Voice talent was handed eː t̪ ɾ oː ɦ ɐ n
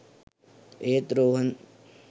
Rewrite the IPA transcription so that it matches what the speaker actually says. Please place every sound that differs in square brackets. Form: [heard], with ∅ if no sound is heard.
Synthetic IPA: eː t̪ ɾ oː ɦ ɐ n